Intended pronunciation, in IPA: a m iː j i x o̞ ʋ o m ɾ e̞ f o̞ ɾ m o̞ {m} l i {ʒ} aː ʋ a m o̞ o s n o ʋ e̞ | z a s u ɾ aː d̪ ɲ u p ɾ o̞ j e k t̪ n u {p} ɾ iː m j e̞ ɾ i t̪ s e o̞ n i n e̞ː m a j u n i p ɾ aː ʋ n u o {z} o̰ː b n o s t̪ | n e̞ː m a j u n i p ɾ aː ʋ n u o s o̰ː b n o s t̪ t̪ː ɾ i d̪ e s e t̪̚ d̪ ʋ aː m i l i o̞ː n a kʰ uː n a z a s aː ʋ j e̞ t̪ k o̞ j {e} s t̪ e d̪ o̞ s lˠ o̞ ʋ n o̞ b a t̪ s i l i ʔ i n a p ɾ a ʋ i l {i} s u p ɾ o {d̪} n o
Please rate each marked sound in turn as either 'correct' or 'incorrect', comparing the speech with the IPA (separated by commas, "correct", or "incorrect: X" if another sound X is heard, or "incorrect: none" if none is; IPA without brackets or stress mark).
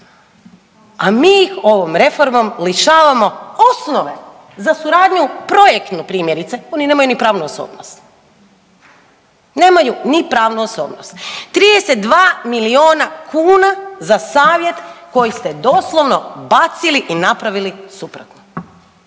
correct, incorrect: ʃ, correct, incorrect: s, incorrect: i, correct, incorrect: t̪